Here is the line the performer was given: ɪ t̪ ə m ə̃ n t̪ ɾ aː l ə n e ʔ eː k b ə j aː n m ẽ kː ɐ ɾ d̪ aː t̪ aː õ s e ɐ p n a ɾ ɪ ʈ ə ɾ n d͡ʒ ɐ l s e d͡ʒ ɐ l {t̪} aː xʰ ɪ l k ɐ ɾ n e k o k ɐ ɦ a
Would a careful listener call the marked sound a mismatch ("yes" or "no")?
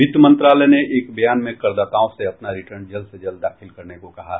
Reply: yes